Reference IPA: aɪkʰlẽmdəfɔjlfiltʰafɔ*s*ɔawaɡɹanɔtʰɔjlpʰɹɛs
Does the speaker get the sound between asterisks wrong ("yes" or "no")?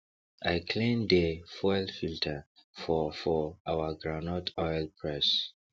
yes